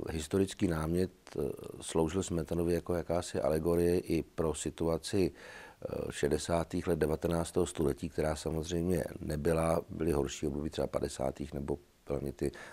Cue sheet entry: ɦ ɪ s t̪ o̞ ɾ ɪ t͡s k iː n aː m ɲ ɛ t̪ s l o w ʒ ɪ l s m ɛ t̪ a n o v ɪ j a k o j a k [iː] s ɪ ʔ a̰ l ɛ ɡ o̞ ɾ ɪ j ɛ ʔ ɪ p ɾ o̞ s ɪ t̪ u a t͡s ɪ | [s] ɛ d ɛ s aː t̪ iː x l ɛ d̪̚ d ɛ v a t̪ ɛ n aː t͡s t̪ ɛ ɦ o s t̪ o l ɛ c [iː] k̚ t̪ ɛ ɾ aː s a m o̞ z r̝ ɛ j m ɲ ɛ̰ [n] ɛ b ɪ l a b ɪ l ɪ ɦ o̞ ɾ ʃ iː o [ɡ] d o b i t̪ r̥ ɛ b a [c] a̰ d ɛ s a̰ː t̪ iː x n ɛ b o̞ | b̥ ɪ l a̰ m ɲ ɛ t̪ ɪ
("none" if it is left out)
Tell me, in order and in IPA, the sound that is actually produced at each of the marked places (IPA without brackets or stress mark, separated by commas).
aː, ʃ, iː, n, b, p